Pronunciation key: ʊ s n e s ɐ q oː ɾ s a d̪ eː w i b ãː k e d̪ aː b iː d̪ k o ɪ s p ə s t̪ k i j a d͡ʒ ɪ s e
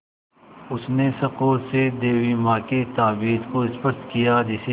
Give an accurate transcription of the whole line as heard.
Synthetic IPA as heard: ʊ s n e s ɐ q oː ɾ s e d̪ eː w i m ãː k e t̪ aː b iː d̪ k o ɪ s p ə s t̪ k i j a d͡ʒ ɪ s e